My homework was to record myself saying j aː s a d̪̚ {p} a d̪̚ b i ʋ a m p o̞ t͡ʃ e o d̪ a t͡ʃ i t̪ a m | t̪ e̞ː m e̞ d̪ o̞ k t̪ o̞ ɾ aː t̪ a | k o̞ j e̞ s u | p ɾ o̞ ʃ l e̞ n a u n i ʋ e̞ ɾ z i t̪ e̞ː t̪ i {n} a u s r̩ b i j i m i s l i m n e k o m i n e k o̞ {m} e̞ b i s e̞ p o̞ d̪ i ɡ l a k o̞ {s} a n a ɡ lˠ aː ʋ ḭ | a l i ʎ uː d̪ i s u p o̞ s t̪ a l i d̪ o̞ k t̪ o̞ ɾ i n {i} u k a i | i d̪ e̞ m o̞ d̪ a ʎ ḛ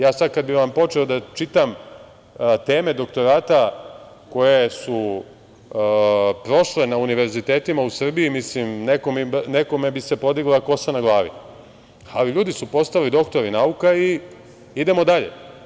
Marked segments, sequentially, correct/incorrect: incorrect, incorrect, correct, correct, incorrect

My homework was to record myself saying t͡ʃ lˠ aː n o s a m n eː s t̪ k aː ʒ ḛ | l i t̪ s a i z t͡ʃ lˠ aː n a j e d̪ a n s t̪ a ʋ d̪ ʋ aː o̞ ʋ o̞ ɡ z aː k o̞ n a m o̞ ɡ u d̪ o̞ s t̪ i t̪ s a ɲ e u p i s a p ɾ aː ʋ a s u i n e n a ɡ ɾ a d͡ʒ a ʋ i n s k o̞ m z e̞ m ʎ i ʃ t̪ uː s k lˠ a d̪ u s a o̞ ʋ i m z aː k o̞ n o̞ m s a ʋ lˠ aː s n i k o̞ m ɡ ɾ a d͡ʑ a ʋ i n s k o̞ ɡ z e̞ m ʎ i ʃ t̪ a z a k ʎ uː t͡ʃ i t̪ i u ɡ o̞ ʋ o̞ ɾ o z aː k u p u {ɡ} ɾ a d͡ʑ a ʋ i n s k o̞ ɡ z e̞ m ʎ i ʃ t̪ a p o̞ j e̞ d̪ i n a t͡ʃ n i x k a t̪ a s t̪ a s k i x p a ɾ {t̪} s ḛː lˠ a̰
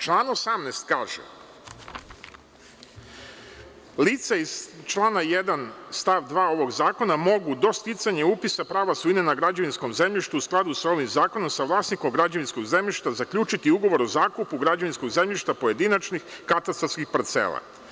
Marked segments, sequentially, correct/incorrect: correct, correct

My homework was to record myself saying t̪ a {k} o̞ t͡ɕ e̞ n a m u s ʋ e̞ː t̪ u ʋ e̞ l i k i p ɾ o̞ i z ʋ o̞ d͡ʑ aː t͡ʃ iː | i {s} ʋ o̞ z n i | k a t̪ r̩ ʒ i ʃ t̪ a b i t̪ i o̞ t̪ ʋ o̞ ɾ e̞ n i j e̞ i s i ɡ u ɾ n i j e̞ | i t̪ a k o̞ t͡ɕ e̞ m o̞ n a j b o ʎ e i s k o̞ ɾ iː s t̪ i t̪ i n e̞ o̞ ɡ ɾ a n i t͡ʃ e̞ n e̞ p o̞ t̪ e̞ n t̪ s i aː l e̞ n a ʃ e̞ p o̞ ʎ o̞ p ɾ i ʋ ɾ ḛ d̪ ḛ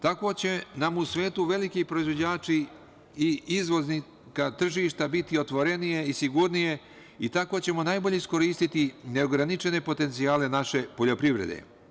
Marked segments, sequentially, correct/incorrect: correct, incorrect

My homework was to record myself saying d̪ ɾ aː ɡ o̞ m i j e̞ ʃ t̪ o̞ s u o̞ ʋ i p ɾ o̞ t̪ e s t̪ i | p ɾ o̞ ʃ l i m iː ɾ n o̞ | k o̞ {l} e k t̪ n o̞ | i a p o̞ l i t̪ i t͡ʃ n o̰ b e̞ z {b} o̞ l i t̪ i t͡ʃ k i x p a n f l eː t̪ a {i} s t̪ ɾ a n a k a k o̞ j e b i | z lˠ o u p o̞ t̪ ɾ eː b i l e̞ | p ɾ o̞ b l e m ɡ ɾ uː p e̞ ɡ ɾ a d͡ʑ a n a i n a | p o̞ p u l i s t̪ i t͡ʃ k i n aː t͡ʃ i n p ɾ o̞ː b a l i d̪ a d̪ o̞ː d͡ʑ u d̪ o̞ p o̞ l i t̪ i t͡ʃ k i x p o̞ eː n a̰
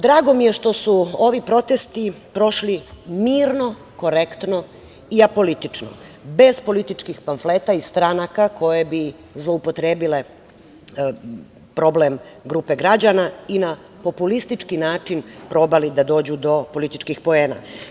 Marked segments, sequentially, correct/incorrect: incorrect, incorrect, correct

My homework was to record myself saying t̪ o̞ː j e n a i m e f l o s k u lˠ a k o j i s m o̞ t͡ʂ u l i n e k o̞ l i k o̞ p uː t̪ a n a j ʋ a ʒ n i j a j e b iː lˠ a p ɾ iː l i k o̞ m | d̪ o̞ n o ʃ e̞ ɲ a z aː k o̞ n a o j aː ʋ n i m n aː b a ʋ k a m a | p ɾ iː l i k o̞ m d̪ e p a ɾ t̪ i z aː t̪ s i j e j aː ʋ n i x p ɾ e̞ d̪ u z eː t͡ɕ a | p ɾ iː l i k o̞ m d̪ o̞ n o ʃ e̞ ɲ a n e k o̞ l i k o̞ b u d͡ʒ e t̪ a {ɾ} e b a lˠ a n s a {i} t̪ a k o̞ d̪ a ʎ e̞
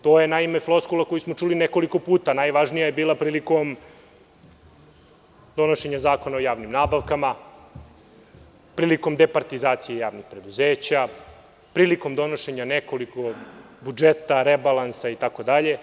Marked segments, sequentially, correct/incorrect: correct, correct

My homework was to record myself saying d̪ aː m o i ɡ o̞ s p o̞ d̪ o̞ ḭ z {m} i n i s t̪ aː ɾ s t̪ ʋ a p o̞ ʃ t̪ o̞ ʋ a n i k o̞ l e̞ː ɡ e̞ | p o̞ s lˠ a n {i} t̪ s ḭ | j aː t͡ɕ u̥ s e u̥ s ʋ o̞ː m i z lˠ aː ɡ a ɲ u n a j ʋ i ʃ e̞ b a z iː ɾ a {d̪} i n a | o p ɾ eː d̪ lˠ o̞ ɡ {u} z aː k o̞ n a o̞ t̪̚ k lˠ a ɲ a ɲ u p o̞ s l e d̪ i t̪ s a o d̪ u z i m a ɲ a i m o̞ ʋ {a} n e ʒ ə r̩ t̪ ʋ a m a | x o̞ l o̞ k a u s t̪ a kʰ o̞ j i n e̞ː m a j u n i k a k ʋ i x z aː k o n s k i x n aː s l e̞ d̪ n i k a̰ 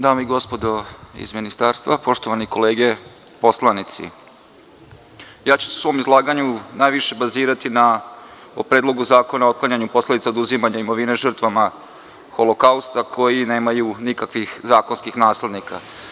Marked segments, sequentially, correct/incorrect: correct, correct, incorrect, correct, incorrect

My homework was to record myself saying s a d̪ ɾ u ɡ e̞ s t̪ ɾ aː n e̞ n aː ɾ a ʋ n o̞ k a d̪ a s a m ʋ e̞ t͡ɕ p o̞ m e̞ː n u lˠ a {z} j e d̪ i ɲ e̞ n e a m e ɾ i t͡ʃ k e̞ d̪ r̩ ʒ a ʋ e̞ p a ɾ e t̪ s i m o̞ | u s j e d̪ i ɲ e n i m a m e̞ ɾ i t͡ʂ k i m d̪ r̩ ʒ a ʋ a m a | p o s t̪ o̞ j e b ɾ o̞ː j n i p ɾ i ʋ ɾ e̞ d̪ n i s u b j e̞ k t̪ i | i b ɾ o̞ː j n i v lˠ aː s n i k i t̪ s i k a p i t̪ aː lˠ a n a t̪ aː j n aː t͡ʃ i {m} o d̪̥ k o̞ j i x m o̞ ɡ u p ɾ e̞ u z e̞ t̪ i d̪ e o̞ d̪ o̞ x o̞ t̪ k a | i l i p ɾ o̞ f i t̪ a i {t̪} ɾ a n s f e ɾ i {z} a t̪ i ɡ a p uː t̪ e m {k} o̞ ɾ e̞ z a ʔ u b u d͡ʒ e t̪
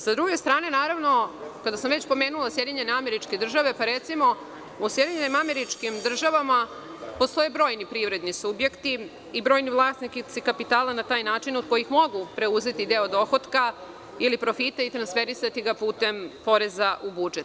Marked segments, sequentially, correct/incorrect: incorrect, incorrect, correct, incorrect, incorrect

